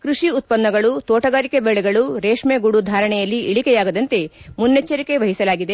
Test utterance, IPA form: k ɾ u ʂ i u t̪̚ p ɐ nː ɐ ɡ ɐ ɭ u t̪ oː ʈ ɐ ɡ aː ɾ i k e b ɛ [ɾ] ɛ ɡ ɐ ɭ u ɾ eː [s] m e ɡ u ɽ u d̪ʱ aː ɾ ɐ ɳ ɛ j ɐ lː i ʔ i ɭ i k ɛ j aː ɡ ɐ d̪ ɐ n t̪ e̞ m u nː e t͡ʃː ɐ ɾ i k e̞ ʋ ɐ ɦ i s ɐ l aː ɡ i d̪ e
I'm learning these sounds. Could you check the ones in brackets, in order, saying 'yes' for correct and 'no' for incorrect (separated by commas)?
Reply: no, no